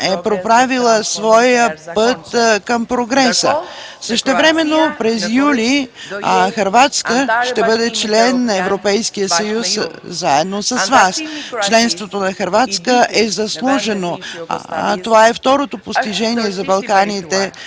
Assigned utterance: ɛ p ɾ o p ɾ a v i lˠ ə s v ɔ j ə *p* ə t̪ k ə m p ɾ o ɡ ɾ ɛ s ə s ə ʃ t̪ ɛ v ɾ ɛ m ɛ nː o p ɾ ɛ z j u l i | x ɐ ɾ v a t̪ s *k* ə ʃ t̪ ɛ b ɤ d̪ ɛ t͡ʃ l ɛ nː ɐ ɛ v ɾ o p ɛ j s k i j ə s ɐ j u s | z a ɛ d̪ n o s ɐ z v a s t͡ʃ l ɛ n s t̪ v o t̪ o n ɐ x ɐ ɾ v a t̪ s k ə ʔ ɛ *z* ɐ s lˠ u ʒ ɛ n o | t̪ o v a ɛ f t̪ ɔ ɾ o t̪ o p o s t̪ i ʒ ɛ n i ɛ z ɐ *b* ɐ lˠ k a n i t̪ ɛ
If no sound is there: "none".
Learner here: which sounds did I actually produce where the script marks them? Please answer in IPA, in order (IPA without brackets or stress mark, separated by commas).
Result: p, k, z, b